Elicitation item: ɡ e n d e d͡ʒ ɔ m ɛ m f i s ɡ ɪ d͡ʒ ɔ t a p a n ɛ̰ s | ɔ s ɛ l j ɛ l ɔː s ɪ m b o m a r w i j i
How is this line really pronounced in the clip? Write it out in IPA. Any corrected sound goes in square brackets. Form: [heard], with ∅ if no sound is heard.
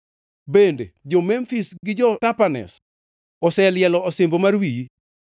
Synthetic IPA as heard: [b] e n d e d͡ʒ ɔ m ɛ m f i s ɡ ɪ d͡ʒ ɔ t a p a n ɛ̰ s | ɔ s ɛ l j ɛ l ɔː s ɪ m b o m a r w i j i